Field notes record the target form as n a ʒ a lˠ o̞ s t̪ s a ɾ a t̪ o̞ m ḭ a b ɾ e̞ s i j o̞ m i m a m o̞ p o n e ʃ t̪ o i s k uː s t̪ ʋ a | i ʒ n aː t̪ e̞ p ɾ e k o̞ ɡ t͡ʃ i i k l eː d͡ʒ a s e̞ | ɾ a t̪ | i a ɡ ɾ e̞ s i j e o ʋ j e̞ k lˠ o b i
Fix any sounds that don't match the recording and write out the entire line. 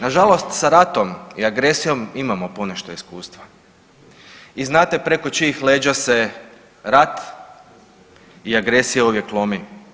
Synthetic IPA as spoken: n a ʒ a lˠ o̞ s t̪ s a ɾ a t̪ o̞ m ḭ a ɡ ɾ e̞ s i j o̞ m i m a m o̞ p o n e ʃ t̪ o i s k uː s t̪ ʋ a | i z n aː t̪ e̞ p ɾ e k o̞ t͡ʃ i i x l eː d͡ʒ a s e̞ | ɾ a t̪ | i a ɡ ɾ e̞ s i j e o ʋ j e̞ k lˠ o m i

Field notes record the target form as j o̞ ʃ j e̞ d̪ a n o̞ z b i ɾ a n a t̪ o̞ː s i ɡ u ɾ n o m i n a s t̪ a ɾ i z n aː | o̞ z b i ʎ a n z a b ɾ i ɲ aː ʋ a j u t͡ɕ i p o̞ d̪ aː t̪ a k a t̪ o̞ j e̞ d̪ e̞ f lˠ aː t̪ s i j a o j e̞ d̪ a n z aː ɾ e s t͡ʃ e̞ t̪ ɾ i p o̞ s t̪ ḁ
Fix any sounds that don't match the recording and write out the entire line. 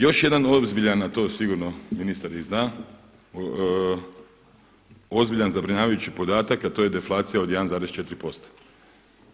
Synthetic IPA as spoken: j o̞ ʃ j e̞ d̪ a n o̞ z b i ʎ a n a t̪ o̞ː s i ɡ u ɾ n o m i n i s t̪ a ɾ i z n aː | o̞ z b i ʎ a n z a b ɾ i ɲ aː ʋ a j u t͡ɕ i p o̞ d̪ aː t̪ a k a t̪ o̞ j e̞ d̪ e̞ f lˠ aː t̪ s i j a o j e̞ d̪ a n z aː ɾ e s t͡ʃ e̞ t̪ ɾ i p o̞ s t̪ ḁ

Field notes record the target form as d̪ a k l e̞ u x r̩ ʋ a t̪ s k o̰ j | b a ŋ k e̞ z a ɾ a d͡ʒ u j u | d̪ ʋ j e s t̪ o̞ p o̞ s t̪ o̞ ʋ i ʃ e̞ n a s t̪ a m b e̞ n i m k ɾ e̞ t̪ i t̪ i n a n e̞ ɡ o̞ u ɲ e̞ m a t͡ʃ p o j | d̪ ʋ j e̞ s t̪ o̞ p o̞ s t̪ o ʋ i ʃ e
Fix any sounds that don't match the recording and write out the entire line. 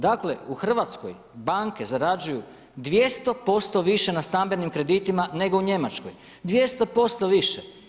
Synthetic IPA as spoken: d̪ a k l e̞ u x r̩ ʋ a t̪ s k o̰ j | b a ŋ k e̞ z a ɾ a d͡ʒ u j u | d̪ ʋ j e s t̪ o̞ p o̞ s t̪ o̞ ʋ i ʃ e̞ n a s t̪ a m b e̞ n i m k ɾ e̞ d̪ i t̪ i m a n e̞ ɡ o̞ u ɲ e̞ m a t͡ʃ k o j | d̪ ʋ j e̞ s t̪ o̞ p o̞ s t̪ o ʋ i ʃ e

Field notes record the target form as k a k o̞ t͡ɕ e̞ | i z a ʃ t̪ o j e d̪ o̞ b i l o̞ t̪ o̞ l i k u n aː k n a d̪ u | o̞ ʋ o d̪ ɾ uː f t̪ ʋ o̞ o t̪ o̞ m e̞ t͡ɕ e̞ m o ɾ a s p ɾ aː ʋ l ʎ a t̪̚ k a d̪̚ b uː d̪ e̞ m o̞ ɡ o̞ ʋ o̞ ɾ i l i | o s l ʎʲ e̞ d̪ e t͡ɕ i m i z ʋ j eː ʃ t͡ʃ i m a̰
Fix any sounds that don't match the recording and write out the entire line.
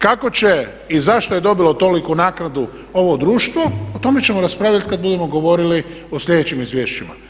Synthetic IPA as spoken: k a k o̞ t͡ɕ e̞ | i z a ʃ t̪ o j e d̪ o̞ b i l o̞ t̪ o̞ l i k u n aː k n a d̪ u | o̞ ʋ o d̪ ɾ uː ʃ t̪ ʋ o̞ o t̪ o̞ m e̞ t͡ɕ e̞ m o ɾ a s p ɾ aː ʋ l ʎ a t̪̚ k a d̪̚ b u d̪ e̞ m o̞ ɡ o̞ ʋ o̞ ɾ i l i | o s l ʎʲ e̞ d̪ e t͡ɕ i m i z ʋ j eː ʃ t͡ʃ i m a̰

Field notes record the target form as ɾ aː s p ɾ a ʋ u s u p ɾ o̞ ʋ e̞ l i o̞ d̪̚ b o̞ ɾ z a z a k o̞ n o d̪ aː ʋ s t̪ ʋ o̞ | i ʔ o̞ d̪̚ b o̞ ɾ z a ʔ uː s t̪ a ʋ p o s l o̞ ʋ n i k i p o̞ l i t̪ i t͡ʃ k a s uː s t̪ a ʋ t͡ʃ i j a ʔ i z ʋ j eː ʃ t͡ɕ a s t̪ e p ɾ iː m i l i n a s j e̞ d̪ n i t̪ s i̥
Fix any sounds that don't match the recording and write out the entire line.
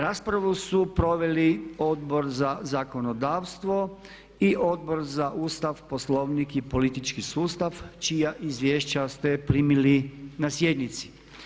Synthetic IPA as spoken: ɾ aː s p ɾ a ʋ u s u p ɾ o̞ ʋ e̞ l i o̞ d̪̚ b o̞ ɾ z a z a k o̞ n o d̪ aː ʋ s t̪ ʋ o̞ | i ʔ o̞ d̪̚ b o̞ ɾ z a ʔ uː s t̪ a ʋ p o s l o̞ ʋ n i k i p o̞ l i t̪ i t͡ʃ k i s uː s t̪ a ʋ t͡ʃ i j a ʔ i z ʋ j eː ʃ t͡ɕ a s t̪ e p ɾ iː m i l i n a s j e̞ d̪ n i t̪ s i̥

